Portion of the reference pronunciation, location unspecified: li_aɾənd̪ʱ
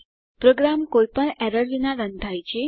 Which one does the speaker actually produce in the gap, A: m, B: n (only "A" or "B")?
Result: B